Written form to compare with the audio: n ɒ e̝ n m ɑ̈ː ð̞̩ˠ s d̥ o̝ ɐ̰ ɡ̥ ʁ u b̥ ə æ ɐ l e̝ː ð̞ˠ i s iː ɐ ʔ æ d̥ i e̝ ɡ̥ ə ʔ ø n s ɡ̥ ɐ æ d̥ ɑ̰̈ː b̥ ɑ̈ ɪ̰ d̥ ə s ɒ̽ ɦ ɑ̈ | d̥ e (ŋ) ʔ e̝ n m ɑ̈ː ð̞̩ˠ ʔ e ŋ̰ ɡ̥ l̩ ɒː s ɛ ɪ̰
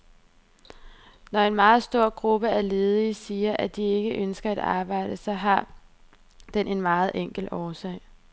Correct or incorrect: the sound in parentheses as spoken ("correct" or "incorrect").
incorrect